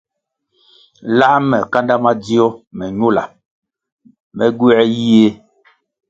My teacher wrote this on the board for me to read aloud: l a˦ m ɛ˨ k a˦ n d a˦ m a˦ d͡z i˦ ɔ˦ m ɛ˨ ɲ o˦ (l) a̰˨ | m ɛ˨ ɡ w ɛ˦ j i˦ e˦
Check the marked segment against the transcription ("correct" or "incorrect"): correct